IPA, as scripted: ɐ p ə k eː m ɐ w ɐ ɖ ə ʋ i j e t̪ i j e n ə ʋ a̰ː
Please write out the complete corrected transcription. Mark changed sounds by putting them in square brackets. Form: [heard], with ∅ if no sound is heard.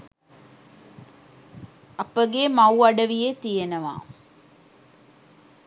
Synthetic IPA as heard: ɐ p ə [ɡ] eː m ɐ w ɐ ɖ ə ʋ i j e t̪ i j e n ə ʋ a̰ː